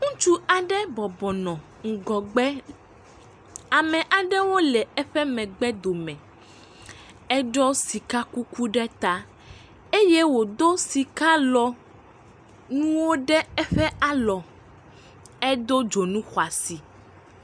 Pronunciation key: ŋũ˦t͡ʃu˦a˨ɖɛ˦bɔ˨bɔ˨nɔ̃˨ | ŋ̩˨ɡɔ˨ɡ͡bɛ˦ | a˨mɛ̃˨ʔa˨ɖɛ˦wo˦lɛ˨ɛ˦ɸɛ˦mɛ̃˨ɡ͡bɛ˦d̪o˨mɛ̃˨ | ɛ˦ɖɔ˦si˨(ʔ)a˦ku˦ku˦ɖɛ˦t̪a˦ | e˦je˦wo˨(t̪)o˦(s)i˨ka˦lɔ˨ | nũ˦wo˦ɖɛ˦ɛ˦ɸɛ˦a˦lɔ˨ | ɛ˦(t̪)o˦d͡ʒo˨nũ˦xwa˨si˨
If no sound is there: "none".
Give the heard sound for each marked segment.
k, d̪, s, d̪

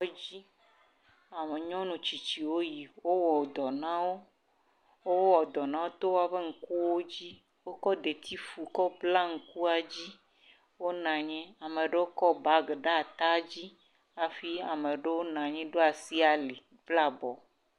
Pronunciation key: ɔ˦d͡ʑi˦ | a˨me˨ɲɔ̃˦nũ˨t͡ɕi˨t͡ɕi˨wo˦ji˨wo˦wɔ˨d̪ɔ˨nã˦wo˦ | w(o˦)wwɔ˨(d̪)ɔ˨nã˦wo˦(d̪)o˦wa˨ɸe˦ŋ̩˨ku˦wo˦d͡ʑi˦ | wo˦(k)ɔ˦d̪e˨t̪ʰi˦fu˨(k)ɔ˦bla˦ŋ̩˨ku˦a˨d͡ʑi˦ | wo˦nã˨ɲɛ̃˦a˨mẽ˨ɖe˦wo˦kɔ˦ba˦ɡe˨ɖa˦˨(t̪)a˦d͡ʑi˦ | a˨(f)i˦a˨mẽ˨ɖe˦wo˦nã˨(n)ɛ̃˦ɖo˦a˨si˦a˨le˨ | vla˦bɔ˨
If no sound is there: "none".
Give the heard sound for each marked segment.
o˦, d̪, t̪, k, k, t̪, f, ɲ

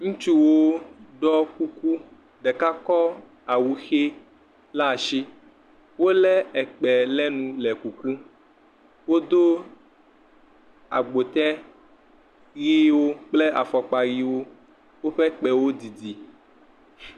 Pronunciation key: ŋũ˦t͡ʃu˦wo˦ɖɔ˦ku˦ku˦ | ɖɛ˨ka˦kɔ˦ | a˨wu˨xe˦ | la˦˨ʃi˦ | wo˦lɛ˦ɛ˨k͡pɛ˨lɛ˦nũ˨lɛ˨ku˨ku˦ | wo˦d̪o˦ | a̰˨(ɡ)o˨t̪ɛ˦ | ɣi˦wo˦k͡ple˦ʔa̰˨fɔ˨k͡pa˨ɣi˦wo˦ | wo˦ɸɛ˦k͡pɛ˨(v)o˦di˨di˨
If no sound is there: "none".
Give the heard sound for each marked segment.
ɡ͡b, w

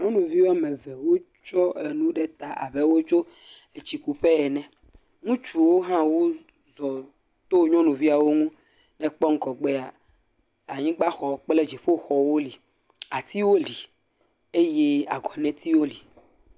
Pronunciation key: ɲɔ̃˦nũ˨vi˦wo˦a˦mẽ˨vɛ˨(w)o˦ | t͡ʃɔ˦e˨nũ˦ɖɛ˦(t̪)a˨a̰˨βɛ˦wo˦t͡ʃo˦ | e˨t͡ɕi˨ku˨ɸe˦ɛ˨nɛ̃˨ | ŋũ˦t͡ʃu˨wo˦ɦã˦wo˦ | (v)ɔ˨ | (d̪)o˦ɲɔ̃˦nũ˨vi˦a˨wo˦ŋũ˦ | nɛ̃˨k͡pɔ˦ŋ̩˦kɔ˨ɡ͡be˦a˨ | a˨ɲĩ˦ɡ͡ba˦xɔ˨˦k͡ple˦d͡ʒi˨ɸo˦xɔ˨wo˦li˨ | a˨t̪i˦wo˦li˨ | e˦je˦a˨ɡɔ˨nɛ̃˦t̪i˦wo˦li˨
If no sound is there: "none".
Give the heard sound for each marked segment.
w, t̪, z, t̪

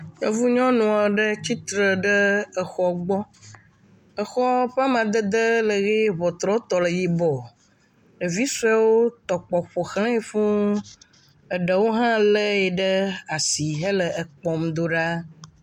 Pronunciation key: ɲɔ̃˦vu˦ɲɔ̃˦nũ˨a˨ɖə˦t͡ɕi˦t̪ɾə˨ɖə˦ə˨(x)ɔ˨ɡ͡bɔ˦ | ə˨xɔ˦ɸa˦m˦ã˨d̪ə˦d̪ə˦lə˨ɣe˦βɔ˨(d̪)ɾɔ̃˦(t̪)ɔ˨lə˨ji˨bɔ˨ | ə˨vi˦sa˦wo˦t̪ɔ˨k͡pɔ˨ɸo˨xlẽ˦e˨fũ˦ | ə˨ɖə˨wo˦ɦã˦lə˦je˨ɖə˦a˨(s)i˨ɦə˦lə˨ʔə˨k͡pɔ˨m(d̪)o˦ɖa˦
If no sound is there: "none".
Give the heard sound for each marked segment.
x, t̪, t̪, s, d̪

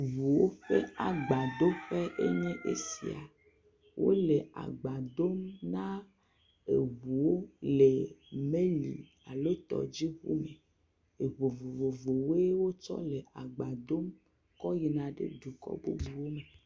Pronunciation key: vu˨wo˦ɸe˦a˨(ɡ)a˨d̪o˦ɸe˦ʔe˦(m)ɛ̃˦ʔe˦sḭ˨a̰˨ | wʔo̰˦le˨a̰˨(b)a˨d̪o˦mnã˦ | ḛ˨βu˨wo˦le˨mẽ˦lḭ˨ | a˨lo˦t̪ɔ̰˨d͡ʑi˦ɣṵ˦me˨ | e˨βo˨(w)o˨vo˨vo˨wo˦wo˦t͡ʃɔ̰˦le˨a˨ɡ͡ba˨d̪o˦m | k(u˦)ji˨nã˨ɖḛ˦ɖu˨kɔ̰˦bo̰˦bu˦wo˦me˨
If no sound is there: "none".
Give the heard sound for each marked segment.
ɡ͡b, ɲ, ɡ͡b, v, ɔ˦

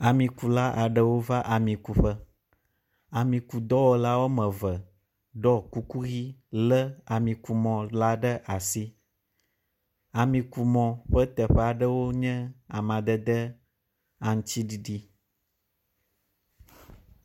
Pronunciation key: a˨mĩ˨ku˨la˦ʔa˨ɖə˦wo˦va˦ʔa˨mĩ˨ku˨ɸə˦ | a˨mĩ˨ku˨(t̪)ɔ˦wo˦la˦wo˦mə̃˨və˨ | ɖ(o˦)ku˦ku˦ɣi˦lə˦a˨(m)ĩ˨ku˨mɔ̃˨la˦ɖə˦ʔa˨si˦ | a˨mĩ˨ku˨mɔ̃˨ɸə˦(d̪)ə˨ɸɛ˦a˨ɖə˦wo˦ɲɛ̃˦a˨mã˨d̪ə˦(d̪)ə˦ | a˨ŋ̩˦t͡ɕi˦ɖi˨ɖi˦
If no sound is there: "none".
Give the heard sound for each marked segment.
d̪, ɔ˦, m, t̪, d̪

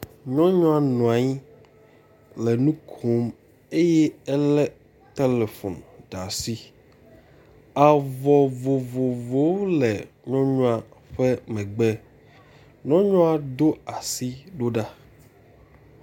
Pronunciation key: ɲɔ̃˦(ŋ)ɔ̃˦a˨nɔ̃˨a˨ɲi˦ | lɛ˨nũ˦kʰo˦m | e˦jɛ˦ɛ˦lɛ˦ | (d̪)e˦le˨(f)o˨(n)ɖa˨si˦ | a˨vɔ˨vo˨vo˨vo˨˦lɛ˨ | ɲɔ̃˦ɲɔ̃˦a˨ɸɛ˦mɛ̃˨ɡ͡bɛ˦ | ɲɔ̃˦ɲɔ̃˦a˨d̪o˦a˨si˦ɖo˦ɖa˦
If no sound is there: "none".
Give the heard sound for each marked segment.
ɲ, t̪, f, n

